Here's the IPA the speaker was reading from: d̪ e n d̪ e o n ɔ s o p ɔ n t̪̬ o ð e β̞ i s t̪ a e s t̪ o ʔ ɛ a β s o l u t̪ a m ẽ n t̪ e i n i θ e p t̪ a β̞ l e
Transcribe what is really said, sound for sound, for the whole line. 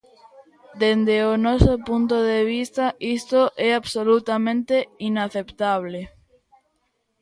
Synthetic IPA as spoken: d̪ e n d̪ e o n ɔ s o p u n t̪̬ o ð e β̞ i s t̪ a i s t̪ o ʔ ɛ a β s o l u t̪ a m ẽ n t̪ e i n a θ e p t̪ a β̞ l e